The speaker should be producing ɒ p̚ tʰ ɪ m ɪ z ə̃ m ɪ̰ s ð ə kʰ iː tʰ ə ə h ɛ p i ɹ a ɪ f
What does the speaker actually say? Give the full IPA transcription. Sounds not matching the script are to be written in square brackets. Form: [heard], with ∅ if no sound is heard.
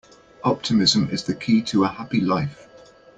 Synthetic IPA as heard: ɒ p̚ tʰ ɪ m ɪ z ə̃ m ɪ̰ [z] ð ə kʰ iː tʰ ə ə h [a] p i [l] a ɪ f

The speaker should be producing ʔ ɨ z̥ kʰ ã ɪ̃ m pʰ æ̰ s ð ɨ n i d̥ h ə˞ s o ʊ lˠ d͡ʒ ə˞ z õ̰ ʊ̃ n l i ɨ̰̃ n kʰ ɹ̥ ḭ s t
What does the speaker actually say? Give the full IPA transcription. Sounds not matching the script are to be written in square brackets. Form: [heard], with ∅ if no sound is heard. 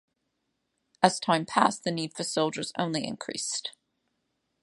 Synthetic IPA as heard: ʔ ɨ z̥ [tʰ] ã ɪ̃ m pʰ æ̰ s ð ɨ n i d̥ [f] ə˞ s o ʊ lˠ d͡ʒ ə˞ z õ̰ ʊ̃ n l i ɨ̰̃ n kʰ ɹ̥ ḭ s t

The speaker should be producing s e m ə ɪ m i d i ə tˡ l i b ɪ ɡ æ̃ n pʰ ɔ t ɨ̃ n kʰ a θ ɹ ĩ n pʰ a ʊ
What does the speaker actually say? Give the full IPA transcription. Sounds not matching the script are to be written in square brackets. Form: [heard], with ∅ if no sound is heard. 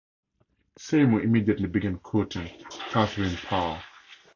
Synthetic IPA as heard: s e m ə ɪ m i d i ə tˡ l i b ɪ ɡ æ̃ n [kʰ] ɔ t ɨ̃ n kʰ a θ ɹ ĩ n pʰ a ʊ

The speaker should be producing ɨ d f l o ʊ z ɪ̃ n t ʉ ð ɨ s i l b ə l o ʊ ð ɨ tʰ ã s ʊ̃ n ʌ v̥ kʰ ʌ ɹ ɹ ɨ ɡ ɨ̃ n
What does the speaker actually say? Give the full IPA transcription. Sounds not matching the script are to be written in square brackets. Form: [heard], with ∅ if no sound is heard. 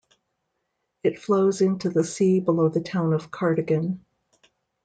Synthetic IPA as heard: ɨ [t] f l o ʊ z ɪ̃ n t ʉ ð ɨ s i [∅] b ə l o ʊ ð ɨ tʰ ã [∅] ʊ̃ n ʌ v̥ kʰ [ɑ] ɹ [ɾ] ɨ ɡ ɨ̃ n

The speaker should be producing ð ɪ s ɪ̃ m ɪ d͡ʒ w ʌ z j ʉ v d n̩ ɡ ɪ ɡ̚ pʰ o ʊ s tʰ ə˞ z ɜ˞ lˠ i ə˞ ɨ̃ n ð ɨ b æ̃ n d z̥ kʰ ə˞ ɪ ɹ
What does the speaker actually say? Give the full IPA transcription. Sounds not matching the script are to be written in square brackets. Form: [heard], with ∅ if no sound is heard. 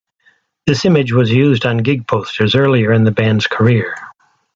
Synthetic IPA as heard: ð ɪ s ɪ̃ m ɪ d͡ʒ w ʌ z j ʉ [z] d n̩ ɡ ɪ ɡ̚ pʰ o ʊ s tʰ ə˞ z ɜ˞ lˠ i ə˞ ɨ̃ n ð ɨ b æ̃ n d z̥ kʰ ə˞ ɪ ɹ

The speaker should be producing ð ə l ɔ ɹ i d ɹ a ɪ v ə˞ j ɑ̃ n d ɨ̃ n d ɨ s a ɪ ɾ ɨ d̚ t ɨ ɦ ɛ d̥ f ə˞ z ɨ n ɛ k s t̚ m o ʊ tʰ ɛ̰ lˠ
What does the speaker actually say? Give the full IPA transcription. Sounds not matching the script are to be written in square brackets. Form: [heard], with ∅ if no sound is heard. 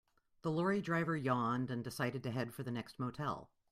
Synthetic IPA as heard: ð ə l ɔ ɹ i d ɹ a ɪ v ə˞ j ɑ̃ n d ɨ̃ n d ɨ s a ɪ ɾ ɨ d̚ t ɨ ɦ ɛ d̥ f ə˞ [ð] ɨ n ɛ k s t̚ m o ʊ tʰ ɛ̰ lˠ

